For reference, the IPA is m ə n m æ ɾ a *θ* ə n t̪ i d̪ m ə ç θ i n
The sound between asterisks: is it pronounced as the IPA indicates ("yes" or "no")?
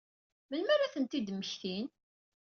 yes